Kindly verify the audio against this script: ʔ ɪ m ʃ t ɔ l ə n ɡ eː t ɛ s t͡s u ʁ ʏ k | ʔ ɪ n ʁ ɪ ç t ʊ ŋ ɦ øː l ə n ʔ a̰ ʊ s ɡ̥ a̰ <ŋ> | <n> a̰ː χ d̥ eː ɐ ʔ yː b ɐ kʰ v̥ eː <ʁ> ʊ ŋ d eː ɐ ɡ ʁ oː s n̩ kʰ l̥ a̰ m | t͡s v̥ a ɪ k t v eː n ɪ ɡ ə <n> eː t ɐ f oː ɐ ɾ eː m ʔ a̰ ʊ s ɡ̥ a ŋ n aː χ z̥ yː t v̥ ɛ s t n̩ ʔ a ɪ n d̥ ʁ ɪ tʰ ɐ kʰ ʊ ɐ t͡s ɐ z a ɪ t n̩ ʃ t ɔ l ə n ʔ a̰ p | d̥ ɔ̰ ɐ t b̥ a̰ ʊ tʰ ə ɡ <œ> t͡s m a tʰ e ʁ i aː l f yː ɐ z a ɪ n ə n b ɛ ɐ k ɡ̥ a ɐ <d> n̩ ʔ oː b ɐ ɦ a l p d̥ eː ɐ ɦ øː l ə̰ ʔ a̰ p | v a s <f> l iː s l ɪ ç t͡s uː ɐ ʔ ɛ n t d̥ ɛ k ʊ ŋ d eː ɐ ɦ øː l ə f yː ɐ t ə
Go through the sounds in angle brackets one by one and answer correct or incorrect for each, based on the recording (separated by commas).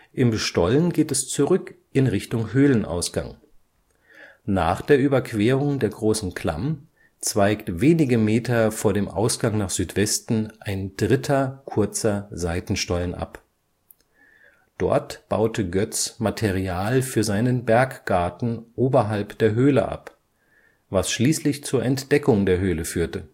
correct, correct, correct, incorrect, correct, incorrect, incorrect